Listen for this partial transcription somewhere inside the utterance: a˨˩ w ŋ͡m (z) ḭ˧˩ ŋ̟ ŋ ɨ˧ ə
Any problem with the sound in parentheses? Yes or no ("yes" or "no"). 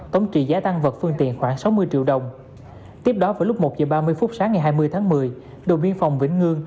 yes